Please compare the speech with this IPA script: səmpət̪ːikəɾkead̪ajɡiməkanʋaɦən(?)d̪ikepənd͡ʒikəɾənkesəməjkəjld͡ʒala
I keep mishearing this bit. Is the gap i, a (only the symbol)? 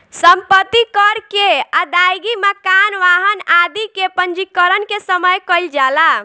a